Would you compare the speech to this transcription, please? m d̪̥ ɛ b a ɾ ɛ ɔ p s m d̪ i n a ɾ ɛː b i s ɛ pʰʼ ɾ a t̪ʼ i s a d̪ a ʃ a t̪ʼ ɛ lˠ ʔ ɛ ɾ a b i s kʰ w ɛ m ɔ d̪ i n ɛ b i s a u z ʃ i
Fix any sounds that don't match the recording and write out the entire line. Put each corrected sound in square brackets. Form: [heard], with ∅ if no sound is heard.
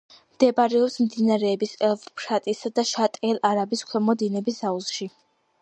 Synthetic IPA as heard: m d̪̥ ɛ b a ɾ ɛ ɔ p s m d̪ i n a ɾ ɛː b i s ɛ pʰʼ ɾ a t̪ʼ i s a d̪ a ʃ a t̪ʼ ɛ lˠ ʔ [a] ɾ a b i s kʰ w ɛ m ɔ d̪ i n ɛ b i s a u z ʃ i